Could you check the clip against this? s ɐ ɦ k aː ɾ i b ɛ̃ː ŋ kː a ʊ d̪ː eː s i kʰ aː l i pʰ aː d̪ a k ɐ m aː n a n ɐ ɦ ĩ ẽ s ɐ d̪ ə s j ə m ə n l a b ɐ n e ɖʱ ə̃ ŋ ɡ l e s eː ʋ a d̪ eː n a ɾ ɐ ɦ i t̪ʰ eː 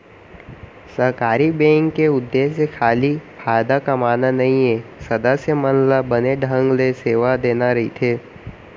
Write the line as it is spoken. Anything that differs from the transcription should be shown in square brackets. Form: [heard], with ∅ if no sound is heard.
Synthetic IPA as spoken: s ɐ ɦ k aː ɾ i b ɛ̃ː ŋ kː [e] ʊ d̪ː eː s [e] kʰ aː l i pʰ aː d̪ a k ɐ m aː n a n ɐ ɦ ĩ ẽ s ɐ d̪ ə s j ə m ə n l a b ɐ n e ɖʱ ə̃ ŋ ɡ l e s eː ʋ a d̪ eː n a ɾ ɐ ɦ i t̪ʰ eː

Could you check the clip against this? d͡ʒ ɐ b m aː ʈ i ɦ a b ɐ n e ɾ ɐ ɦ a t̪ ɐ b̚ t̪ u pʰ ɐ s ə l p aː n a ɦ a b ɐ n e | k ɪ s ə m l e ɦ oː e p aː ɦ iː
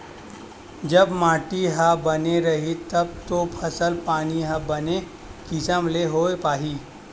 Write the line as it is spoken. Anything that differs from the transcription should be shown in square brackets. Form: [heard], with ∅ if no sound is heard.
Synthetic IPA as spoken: d͡ʒ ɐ b m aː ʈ i ɦ a b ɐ n e ɾ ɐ ɦ [i] t̪ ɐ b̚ t̪ [o] pʰ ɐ s ə l p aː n [i] ɦ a b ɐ n e | k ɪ s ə m l e ɦ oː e p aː ɦ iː

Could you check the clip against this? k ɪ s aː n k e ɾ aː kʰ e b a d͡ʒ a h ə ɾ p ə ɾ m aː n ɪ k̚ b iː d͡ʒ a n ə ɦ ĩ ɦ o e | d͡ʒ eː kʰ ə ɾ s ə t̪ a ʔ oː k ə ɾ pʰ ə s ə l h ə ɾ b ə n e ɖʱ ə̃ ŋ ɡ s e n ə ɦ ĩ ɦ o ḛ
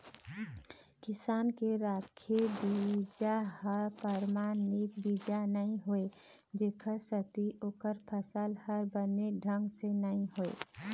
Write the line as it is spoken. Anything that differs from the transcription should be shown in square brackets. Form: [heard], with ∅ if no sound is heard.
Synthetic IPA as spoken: k ɪ s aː n k e ɾ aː kʰ e b [i] d͡ʒ a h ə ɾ p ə ɾ m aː n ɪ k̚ b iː d͡ʒ a n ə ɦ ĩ ɦ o e | d͡ʒ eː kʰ ə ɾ s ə t̪ [i] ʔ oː k ə ɾ pʰ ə s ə l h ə ɾ b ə n e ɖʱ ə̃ ŋ ɡ s e n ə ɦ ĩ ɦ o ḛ

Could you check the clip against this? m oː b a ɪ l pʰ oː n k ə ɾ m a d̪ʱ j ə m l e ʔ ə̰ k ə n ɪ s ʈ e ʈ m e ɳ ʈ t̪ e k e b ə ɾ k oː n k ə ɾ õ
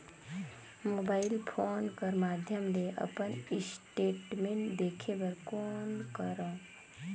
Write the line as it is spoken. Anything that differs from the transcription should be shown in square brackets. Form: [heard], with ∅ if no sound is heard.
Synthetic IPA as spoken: m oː b a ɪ l pʰ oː n k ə ɾ m a d̪ʱ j ə m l e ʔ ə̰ [p] ə n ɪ s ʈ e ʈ m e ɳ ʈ [d̪] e [kʰ] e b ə ɾ k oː n k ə ɾ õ

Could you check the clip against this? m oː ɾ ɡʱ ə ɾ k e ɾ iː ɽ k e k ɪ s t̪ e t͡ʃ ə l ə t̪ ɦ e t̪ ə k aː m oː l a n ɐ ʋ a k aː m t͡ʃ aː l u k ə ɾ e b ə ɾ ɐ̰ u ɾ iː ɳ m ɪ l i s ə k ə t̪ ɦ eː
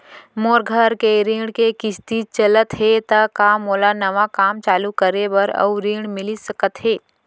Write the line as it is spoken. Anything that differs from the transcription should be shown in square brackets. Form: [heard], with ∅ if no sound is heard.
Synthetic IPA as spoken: m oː ɾ ɡʱ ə ɾ k e ɾ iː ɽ k e k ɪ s t̪ [i] t͡ʃ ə l ə t̪ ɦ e t̪ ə k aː m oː l a n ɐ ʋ a k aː m t͡ʃ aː l u k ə ɾ e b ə ɾ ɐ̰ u ɾ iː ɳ m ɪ l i s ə k ə t̪ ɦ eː

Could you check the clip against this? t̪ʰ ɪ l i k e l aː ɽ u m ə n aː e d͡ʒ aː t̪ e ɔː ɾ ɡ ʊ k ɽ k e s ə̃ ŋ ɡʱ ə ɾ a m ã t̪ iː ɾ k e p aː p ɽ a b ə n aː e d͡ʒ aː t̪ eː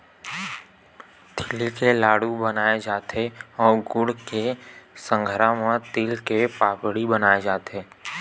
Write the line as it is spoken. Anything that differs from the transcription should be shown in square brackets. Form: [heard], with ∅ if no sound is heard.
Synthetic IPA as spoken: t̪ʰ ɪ l i k e l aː ɽ u [b] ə n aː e d͡ʒ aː t̪ e ɔː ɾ ɡ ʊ [∅] ɽ k e s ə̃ ŋ ɡʱ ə ɾ a m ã t̪ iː [l] k e p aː p ɽ [i] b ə n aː e d͡ʒ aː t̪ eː

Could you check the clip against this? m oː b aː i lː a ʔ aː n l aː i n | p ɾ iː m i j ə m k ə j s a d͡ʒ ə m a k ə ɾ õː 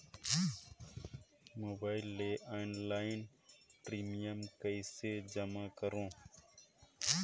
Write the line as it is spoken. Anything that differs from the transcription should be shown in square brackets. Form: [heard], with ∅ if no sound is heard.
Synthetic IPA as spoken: m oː b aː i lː [e] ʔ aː n l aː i n | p ɾ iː m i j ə m k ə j s [e] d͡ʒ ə m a k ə ɾ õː

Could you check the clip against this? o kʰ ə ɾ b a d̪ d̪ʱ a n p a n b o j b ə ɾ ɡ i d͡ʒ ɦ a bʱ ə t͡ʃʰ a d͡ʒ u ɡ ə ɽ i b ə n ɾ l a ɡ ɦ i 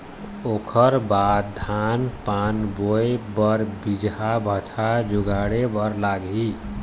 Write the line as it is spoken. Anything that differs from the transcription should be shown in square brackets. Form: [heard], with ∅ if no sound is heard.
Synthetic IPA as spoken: o kʰ ə ɾ b a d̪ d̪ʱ a n p a n b o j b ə ɾ [b] i d͡ʒ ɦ a bʱ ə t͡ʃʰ a d͡ʒ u ɡ [a] ɽ [e] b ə [∅] ɾ l a ɡ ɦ i

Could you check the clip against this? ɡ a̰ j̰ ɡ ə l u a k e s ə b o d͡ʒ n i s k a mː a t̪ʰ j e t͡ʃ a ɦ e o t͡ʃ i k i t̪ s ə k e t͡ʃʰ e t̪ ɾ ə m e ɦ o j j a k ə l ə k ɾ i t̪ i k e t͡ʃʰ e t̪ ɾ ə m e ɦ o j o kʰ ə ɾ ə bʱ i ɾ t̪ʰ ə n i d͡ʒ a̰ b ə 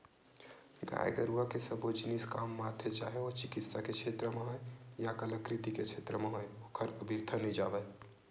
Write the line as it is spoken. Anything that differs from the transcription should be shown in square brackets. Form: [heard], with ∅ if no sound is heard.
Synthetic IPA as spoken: ɡ a̰ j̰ ɡ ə [ɾ] u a k e s ə b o d͡ʒ n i s k a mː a t̪ʰ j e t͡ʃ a ɦ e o t͡ʃ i k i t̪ s [a] k e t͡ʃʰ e t̪ ɾ ə m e ɦ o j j a k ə l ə k ɾ i t̪ i k e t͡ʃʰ e t̪ ɾ ə m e ɦ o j o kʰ ə ɾ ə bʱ i ɾ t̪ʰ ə n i d͡ʒ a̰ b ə

